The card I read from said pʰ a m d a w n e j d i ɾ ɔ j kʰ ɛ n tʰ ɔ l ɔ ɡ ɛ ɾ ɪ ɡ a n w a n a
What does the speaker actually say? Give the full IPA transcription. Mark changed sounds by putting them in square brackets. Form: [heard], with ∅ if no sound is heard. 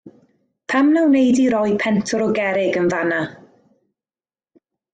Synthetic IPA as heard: pʰ a m [n] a w n e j d i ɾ ɔ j [pʰ] ɛ n tʰ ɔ [ɾ] ɔ ɡ ɛ ɾ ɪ ɡ [ə] n [v] a n a